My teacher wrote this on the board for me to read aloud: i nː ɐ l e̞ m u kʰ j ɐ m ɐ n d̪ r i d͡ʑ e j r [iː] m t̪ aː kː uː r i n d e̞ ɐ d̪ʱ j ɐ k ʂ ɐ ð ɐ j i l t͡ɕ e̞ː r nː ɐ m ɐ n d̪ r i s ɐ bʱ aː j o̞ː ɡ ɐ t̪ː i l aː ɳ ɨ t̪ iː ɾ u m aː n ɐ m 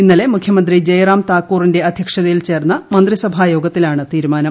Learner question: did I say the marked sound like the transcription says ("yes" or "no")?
no